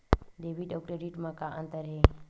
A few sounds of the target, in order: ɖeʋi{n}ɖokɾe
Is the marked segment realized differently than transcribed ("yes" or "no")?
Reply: yes